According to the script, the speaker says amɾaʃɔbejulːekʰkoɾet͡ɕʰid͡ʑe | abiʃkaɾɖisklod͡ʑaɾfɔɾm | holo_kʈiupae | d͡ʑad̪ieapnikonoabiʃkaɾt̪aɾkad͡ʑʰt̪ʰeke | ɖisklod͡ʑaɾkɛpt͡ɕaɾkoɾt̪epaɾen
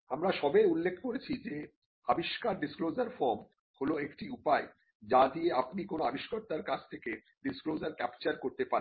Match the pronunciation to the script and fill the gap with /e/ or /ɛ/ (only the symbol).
e